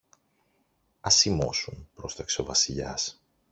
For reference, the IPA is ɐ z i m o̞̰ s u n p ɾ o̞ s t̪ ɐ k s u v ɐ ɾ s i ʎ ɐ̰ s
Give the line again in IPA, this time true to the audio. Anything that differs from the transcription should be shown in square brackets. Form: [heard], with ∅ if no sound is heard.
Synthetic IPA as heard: ɐ [s] i m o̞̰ s u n p ɾ o̞ s t̪ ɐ k s [o] v ɐ [∅] s i ʎ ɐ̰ s